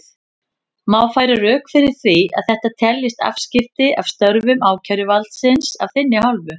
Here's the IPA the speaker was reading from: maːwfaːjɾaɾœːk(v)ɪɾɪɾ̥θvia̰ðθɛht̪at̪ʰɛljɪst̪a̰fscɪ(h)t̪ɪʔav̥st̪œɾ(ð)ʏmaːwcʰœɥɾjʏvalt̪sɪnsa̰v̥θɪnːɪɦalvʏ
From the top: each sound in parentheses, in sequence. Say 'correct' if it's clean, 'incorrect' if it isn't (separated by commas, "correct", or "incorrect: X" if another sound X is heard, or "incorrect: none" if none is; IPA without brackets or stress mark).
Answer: incorrect: f, incorrect: f, incorrect: v